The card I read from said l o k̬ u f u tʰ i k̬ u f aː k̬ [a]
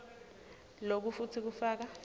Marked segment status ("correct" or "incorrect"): correct